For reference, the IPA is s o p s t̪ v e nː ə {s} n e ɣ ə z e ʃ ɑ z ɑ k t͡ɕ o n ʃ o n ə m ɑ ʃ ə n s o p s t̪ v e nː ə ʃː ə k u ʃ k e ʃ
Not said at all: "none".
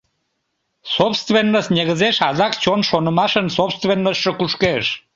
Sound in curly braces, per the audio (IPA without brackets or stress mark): s